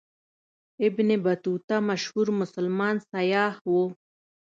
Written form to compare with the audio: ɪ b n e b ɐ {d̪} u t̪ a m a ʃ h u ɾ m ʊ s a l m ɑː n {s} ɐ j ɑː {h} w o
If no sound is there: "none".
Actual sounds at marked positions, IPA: t̪, s, h

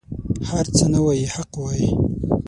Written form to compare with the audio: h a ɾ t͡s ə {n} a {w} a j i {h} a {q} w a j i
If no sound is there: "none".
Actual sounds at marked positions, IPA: n, w, h, q

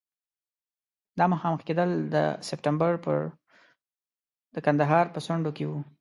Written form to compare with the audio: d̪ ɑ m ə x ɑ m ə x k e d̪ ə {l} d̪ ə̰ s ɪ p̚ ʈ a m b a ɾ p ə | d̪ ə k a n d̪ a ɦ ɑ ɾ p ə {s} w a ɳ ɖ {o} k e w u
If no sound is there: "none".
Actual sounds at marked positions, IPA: l, s, o

